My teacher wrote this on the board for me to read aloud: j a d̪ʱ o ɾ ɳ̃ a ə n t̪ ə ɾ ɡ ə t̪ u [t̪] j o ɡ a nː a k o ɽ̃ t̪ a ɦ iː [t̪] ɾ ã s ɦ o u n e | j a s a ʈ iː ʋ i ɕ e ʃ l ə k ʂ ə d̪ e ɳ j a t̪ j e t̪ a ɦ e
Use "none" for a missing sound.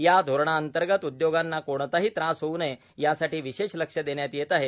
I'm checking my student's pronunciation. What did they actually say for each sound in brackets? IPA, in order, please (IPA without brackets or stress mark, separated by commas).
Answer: d̪, t̪